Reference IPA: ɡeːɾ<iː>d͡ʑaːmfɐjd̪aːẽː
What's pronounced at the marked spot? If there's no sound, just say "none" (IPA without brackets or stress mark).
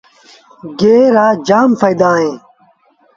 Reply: aː